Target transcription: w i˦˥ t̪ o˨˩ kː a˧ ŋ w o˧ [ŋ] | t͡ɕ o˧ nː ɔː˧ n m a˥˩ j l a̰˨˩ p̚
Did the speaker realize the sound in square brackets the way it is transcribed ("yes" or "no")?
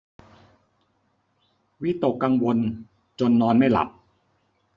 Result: no